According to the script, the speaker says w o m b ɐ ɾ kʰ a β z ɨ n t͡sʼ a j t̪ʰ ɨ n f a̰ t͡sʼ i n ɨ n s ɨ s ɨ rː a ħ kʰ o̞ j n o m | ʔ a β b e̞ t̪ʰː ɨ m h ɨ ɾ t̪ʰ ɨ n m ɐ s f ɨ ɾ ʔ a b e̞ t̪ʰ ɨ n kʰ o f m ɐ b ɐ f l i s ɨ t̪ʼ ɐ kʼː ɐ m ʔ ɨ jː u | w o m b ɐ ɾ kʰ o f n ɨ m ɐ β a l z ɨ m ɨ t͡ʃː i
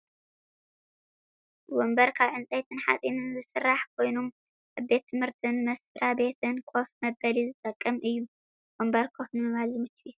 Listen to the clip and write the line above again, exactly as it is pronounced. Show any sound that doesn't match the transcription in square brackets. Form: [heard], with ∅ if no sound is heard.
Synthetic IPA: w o m b ɐ ɾ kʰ a β [ʕ] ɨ n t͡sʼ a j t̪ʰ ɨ n [ħ] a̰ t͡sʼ i n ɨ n [z] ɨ s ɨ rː a ħ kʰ o̞ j n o m | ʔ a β b e̞ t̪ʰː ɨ m h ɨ ɾ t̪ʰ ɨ n m ɐ s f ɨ ɾ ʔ a b e̞ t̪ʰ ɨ n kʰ o f m ɐ b ɐ [∅] l i [z] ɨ t̪ʼ ɐ kʼː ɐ m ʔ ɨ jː u | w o m b ɐ ɾ kʰ o f n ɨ m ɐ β a l z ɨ m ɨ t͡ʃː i